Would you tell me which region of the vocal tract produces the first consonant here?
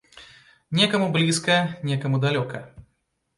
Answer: tongue tip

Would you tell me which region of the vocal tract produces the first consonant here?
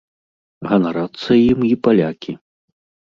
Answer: velum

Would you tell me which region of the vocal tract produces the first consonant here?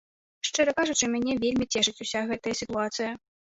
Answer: retroflex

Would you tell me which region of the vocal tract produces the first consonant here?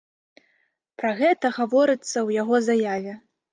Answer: lips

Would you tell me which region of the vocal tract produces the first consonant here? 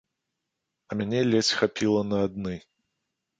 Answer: lips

